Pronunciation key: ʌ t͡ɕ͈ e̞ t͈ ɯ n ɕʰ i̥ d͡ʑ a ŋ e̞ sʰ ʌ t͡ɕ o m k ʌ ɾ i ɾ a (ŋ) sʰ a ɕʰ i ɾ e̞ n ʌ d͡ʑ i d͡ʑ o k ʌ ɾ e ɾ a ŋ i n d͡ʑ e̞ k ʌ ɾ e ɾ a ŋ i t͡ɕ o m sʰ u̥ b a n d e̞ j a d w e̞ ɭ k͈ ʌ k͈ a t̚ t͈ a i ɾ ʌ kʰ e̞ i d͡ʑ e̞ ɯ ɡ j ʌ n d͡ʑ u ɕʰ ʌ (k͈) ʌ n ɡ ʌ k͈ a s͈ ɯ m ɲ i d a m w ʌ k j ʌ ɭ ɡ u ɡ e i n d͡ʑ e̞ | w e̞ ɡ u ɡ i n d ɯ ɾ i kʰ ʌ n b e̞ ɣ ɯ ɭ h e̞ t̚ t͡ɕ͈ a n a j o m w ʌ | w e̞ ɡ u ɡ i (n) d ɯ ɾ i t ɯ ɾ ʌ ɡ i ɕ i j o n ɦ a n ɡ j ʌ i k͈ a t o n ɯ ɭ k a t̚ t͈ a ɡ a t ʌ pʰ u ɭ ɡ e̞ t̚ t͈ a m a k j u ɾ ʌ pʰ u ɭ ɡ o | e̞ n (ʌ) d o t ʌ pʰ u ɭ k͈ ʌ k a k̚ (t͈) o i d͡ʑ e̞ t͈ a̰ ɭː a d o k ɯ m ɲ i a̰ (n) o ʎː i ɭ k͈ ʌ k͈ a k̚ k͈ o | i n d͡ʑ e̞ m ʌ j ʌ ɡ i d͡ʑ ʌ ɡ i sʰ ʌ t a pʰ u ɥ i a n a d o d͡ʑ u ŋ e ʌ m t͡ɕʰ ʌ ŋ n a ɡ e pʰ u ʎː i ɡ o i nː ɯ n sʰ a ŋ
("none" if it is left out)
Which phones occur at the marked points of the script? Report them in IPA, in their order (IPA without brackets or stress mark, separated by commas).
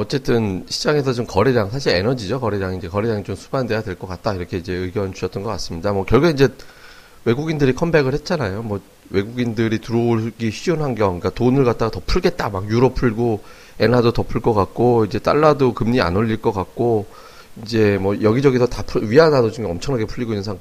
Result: ŋ, t͈, n, a, k͈, n